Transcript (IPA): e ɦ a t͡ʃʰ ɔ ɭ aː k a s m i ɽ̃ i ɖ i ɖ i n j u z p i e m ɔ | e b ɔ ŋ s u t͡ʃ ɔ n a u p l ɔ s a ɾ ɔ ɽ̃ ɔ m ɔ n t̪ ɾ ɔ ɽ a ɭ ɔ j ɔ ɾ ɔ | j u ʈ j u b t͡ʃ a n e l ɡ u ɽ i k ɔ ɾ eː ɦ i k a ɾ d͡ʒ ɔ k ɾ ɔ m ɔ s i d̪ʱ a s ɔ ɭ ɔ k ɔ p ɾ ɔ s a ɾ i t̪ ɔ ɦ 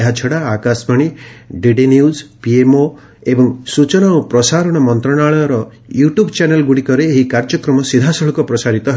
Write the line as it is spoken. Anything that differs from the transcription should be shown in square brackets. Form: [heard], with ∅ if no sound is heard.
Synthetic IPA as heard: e ɦ a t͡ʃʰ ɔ [ɽ] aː k a s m [a] ɽ̃ i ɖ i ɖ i n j u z p i e m [o] | e b ɔ ŋ s u t͡ʃ ɔ n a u p [ɾ] ɔ s a ɾ ɔ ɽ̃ ɔ m ɔ n t̪ ɾ ɔ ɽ a ɭ ɔ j ɔ ɾ ɔ | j u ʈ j u b t͡ʃ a n e l ɡ u ɽ i k ɔ ɾ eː ɦ i k a ɾ d͡ʒ ɔ k ɾ ɔ m ɔ s i d̪ʱ a s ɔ ɭ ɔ k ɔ p ɾ ɔ s a ɾ i t̪ ɔ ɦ